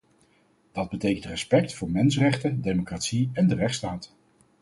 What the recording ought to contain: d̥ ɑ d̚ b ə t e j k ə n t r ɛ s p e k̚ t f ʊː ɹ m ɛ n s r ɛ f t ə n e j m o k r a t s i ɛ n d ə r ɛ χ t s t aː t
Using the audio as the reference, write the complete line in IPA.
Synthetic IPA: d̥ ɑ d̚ b ə t e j k ə n t r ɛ s p ɛ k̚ t f ʊː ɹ m ɛ n s r ɛ χ t ə d e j m o k r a t s i ɛ n d ə r ɛ χ t s t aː t